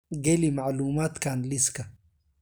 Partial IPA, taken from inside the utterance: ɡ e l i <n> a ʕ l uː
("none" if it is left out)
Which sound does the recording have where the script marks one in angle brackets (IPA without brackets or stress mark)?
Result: m